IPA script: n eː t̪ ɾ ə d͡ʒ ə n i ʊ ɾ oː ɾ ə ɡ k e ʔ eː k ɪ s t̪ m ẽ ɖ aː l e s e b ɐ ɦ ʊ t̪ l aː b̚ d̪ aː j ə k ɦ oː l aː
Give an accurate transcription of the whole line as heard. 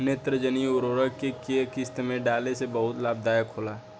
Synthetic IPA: n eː t̪ ɾ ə d͡ʒ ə n i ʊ ɾ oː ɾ ə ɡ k e k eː k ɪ s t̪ m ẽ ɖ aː l e s e b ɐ ɦ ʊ t̪ l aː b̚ d̪ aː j ə k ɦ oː l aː

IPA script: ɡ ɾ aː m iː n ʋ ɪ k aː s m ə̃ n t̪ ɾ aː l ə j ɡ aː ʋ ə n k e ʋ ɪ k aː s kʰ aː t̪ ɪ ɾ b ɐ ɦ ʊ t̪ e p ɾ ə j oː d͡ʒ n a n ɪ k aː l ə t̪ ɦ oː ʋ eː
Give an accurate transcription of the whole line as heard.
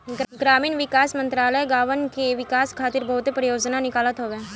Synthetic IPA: ɡ ɾ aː m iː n ʋ ɪ k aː s m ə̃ n t̪ ɾ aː l ə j ɡ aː ʋ ə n k e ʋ ɪ k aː s kʰ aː t̪ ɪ ɾ b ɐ ɦ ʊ t̪ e p ɾ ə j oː d͡ʒ n a n ɪ k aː l ə t̪ ɦ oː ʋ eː

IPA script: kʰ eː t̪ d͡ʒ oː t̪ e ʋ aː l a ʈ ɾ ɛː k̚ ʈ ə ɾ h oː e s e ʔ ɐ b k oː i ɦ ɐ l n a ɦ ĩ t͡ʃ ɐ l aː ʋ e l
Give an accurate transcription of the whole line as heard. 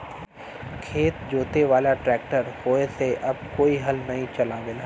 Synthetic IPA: kʰ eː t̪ d͡ʒ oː t̪ e ʋ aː l a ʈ ɾ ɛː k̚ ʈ ə ɾ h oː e s e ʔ ɐ b k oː i ɦ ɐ l n ɐ ɦ ĩ t͡ʃ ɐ l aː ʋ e l

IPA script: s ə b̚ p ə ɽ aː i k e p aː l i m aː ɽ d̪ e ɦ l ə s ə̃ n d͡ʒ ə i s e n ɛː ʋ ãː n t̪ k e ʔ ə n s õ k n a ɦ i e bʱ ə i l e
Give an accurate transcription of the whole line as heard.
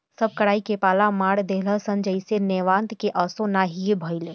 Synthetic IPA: s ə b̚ k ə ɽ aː i k e p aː l a m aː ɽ d̪ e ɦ l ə s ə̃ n d͡ʒ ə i s e n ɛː ʋ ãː n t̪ k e ʔ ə s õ n a ɦ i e bʱ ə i l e

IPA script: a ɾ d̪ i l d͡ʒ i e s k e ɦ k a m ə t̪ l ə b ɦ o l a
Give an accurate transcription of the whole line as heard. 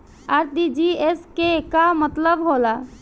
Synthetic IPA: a ɾ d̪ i d͡ʒ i e s k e k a m ə t̪ l ə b ɦ o l a

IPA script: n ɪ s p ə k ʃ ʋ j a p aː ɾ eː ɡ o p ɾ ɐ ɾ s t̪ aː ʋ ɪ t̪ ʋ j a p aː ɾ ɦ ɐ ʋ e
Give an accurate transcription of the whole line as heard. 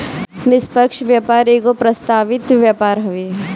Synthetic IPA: n ɪ s p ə k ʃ ʋ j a p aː ɾ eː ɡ o p ɾ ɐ s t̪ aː ʋ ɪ t̪ ʋ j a p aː ɾ ɦ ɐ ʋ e

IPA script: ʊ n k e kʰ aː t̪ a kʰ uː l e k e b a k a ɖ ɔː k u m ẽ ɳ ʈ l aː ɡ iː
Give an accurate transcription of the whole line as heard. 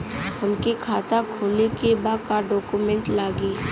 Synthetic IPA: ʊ n k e kʰ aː t̪ a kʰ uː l e k e b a k a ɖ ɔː k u m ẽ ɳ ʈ l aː ɡ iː

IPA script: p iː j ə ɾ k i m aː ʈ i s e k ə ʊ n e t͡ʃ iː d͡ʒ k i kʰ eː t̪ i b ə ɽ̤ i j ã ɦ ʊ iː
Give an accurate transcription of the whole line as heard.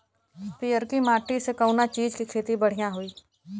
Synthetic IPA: p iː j ə ɾ k i m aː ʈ i s e k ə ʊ n a t͡ʃ iː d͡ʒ k i kʰ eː t̪ i b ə ɽ̤ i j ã ɦ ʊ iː

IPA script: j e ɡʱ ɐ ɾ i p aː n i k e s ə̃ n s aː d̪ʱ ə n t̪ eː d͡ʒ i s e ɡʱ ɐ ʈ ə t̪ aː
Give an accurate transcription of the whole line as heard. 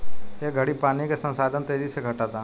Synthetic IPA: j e ɡʱ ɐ ɽ i p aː n i k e s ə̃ n s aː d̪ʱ ə n t̪ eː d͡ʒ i s e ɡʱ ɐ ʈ a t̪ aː

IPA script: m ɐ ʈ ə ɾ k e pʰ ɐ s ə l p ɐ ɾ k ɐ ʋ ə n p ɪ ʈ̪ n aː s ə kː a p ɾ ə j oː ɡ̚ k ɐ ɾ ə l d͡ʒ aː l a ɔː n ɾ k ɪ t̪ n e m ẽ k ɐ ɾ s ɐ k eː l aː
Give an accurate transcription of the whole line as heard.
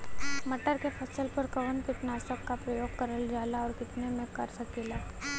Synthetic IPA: m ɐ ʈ ə ɾ k e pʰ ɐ s ə l p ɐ ɾ k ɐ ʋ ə n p ɪ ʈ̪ n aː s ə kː a p ɾ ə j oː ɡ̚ k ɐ ɾ ə l d͡ʒ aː l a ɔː ɾ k ɪ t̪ n e m ẽ k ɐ ɾ s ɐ k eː l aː

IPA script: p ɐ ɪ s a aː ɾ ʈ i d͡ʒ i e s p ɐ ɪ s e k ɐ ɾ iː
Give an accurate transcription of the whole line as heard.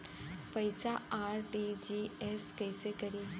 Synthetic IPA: p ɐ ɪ s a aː ɾ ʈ i d͡ʒ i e s k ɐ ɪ s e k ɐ ɾ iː

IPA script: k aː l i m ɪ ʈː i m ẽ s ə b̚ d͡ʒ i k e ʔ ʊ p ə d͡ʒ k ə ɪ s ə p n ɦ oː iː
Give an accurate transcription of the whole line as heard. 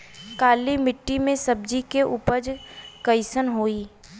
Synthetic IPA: k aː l i m ɪ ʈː i m ẽ s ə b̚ d͡ʒ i k e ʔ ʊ p ə d͡ʒ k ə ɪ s ə n ɦ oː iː

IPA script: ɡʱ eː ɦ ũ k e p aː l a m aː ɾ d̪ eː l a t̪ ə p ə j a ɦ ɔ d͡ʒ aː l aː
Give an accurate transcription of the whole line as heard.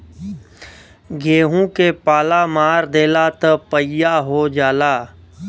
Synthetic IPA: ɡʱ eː ɦ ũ k e p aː l a m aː ɾ d̪ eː l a t̪ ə p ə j a ɦ o d͡ʒ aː l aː

